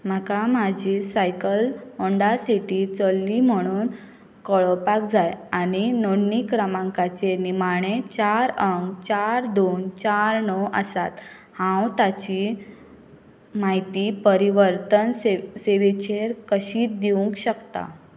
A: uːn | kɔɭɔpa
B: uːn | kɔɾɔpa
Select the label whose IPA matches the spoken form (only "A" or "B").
A